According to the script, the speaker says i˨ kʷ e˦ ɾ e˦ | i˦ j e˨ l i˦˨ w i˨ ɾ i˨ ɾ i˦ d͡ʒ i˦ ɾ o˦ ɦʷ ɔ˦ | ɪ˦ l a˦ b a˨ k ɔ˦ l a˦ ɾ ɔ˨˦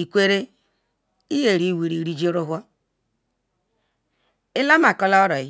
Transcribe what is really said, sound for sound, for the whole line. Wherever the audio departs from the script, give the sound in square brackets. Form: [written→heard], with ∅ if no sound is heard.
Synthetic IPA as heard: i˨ kʷ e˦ ɾ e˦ | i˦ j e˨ [l→ɾ] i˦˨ w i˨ ɾ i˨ ɾ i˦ d͡ʒ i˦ ɾ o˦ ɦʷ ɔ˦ | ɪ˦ l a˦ [b→m] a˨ k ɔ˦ l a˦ ɾ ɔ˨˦